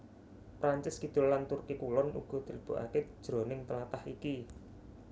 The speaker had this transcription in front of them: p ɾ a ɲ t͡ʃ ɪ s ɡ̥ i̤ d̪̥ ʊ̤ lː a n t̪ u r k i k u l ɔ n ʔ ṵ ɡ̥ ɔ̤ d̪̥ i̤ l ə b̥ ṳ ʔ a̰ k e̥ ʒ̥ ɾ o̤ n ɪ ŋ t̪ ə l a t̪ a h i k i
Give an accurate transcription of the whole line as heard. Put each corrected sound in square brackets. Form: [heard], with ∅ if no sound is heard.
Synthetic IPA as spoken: p ɾ a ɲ t͡ʃ ɪ s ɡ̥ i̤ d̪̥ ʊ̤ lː a n t̪ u r k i k u l ɔ n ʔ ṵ ɡ̥ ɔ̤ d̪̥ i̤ l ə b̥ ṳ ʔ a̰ k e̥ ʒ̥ ɾ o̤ n ɪ ŋ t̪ ə l a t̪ a h i k i